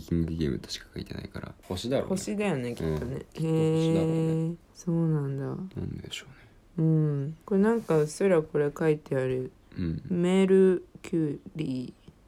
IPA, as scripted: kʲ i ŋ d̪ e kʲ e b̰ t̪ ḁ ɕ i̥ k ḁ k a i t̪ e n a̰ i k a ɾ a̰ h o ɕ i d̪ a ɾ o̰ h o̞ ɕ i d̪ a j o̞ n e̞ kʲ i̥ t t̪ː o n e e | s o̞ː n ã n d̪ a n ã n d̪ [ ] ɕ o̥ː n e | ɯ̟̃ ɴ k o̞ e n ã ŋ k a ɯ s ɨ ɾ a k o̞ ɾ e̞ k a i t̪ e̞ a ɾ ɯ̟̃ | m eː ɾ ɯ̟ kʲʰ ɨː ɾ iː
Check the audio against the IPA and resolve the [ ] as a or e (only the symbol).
e